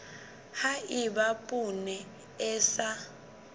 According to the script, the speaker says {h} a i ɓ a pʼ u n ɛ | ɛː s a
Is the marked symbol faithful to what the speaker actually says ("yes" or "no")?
yes